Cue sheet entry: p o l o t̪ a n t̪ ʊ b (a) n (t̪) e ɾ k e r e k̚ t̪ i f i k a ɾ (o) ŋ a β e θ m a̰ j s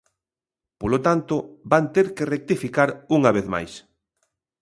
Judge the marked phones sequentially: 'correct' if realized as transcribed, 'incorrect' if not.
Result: correct, correct, incorrect: u

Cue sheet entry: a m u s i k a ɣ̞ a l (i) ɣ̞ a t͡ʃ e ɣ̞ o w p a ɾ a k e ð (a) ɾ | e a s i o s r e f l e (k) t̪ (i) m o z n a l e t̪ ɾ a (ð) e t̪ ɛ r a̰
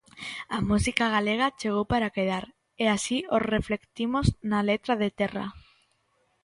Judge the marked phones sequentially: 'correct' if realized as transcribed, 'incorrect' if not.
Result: incorrect: e, correct, correct, correct, correct

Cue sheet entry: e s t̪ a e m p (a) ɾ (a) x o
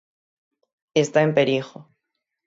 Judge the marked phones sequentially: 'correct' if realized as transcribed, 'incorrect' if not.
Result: incorrect: e, incorrect: i

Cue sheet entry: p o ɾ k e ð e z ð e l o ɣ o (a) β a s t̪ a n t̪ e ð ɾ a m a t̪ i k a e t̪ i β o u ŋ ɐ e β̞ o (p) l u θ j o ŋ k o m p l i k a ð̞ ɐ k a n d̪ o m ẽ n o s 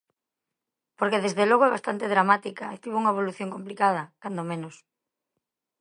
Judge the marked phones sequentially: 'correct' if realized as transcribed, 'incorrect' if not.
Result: incorrect: ɛ, incorrect: none

